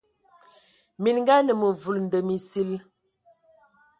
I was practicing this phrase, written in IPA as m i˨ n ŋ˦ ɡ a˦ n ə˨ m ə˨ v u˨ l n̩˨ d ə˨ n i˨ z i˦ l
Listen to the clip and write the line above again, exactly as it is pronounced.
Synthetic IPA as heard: m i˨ n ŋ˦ ɡ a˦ n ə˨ m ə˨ v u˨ l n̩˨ d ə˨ m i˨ s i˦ l